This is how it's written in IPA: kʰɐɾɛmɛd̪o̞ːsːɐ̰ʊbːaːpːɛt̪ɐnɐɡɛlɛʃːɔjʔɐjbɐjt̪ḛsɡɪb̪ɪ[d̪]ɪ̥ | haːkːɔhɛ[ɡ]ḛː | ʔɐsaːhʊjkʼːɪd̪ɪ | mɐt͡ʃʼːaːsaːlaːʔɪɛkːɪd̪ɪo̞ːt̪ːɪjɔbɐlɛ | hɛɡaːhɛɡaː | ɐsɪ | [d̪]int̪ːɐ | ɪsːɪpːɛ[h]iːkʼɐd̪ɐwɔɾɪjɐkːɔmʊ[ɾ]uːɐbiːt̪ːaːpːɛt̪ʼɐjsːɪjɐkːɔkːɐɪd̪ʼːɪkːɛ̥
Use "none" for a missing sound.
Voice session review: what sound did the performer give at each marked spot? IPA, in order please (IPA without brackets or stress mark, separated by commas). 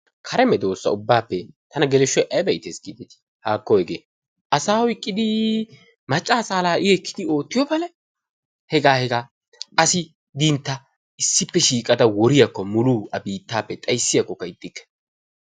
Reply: t̪, ɡ, d̪, ʃ, l